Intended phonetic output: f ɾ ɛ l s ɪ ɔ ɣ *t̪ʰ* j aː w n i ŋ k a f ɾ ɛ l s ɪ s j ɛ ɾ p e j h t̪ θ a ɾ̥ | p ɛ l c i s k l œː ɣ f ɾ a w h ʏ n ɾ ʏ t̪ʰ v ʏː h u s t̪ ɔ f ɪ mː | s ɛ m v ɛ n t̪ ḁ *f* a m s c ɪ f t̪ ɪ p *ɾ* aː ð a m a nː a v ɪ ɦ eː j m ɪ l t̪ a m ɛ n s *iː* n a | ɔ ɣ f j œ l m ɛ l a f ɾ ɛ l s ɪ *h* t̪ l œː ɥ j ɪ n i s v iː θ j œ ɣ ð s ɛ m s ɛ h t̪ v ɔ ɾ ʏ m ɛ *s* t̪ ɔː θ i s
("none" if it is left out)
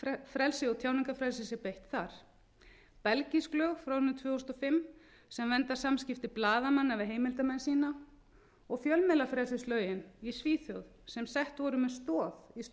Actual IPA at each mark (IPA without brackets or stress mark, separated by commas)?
t̪ʰ, s, l, iː, s, s